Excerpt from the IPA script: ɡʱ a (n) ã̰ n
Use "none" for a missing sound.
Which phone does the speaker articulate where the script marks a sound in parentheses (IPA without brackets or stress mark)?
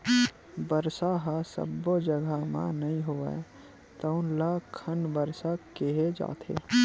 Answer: m